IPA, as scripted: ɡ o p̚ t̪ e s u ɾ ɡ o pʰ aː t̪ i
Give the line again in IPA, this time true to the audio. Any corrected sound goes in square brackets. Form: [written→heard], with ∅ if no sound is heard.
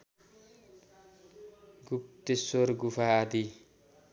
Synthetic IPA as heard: ɡ [o→u] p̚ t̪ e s [u→o] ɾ ɡ [o→u] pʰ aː [t̪→d̪] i